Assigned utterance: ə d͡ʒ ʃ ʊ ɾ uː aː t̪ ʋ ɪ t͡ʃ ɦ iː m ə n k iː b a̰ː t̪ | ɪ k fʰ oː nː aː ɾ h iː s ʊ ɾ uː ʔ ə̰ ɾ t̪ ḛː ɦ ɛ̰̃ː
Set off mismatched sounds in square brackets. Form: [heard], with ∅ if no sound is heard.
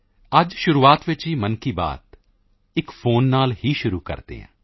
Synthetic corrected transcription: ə d͡ʒ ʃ ʊ ɾ uː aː t̪ ʋ ɪ t͡ʃ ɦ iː m ə n k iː b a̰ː t̪ | ɪ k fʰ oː nː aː [l] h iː [ʃ] ʊ ɾ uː [k] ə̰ ɾ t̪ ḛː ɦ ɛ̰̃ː